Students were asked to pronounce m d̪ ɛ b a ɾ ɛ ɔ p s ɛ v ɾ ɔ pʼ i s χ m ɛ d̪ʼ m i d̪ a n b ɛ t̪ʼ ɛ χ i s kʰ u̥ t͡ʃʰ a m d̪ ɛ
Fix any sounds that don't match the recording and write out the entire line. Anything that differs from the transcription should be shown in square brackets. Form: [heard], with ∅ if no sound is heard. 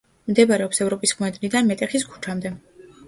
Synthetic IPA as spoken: m d̪ ɛ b a ɾ ɛ ɔ p s ɛ v ɾ ɔ pʼ i s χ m ɛ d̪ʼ [n] i d̪ a n [m] ɛ t̪ʼ ɛ χ i s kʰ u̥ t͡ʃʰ a m d̪ ɛ